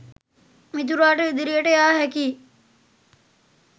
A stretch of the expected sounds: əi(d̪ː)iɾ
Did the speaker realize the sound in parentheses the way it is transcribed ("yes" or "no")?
no